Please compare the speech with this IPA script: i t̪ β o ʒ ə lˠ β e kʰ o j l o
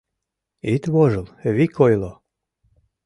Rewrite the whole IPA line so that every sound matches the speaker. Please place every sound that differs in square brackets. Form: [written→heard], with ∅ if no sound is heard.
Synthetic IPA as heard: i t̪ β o ʒ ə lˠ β [e→i] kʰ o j l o